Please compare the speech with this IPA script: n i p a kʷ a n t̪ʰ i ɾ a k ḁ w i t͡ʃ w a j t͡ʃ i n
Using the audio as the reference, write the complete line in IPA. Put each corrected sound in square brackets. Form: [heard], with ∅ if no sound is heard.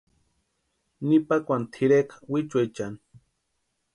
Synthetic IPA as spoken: n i p a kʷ a n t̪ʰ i ɾ [e] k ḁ w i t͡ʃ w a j t͡ʃ [a] n